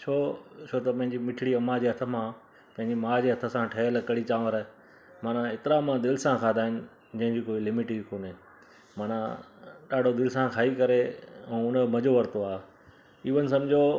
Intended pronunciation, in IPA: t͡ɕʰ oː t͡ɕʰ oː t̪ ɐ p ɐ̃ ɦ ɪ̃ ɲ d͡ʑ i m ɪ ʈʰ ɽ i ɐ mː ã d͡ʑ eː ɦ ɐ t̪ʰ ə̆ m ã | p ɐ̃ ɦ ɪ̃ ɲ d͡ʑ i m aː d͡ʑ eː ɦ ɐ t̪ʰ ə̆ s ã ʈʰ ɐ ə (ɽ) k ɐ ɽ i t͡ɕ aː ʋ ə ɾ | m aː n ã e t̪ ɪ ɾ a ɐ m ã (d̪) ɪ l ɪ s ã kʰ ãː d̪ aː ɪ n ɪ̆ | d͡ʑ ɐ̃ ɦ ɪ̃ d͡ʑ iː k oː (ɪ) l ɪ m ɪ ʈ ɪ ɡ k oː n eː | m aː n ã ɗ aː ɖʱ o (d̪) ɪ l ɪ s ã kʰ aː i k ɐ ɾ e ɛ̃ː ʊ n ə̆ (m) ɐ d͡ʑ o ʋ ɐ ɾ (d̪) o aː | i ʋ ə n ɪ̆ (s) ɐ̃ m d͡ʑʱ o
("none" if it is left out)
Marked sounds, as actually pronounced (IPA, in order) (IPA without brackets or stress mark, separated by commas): l, d̪, i, d̪, m, t̪, s